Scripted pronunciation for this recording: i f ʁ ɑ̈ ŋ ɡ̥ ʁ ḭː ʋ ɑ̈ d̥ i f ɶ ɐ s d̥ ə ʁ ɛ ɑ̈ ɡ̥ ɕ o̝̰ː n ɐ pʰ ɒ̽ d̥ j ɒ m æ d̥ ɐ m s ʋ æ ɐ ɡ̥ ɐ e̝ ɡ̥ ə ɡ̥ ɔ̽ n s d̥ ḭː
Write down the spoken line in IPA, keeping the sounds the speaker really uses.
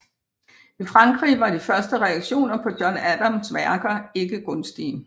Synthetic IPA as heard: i f ʁ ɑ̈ ŋ ɡ̥ ʁ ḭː ʋ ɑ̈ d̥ i f ɶ ɐ s d̥ ə ʁ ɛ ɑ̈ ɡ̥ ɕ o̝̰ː n ɐ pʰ ɒ̽ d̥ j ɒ n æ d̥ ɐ m s ʋ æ ɐ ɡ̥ ɐ e̝ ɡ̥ ə ɡ̥ ɔ̽ n s d̥ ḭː